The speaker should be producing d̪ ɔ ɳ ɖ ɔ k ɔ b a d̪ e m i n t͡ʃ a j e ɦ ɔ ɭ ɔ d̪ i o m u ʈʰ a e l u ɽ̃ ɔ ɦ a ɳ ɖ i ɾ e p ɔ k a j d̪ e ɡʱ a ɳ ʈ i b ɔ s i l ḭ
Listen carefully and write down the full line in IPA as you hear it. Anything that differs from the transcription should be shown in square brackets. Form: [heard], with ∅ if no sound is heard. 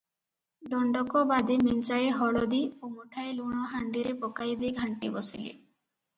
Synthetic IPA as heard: d̪ ɔ ɳ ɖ ɔ k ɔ b a d̪ e m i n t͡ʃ a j e ɦ ɔ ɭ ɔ d̪ i o m u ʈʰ a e l u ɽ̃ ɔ ɦ a ɳ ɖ i ɾ e p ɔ k a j d̪ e ɡʱ a ɳ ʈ i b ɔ s i l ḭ